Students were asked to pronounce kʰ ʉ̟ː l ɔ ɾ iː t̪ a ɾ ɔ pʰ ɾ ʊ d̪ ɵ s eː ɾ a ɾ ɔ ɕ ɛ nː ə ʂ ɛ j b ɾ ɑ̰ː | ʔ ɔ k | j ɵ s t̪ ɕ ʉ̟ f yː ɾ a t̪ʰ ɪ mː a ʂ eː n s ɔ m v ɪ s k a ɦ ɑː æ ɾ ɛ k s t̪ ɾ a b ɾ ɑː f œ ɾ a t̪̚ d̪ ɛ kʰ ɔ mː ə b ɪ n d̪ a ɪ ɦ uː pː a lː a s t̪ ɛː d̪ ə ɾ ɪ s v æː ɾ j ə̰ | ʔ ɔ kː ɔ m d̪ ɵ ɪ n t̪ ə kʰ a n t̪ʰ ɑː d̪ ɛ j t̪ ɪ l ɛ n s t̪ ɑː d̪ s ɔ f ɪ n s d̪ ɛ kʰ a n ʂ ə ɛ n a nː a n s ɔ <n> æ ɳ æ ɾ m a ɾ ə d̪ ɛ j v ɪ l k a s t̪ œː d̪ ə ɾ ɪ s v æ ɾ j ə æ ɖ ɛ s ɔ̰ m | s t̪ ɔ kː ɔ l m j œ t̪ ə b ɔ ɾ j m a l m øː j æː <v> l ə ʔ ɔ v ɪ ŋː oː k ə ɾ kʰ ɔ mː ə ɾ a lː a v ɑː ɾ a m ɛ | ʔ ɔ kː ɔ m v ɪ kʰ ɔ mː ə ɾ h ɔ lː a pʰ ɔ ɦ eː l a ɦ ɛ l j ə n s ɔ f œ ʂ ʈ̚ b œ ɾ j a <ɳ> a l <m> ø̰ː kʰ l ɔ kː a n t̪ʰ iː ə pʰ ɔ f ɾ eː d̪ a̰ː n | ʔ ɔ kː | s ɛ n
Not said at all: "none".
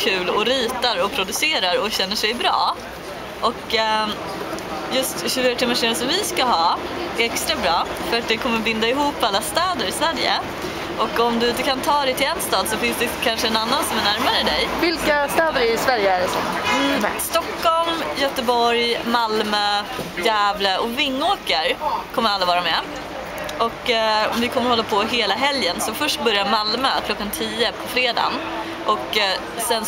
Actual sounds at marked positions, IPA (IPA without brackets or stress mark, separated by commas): m, v, m, m